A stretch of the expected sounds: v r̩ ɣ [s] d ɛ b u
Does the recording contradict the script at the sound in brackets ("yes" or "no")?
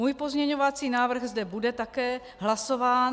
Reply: yes